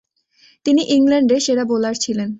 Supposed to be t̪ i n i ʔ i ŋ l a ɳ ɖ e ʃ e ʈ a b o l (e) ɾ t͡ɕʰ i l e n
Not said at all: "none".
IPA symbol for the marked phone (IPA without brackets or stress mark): a